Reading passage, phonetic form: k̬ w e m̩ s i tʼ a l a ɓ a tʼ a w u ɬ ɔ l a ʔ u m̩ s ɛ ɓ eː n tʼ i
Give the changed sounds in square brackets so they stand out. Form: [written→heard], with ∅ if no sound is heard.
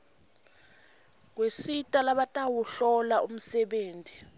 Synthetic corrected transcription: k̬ w e [m̩→∅] s i tʼ a l a ɓ a tʼ a w u ɬ ɔ l a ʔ u m̩ s ɛ ɓ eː n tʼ i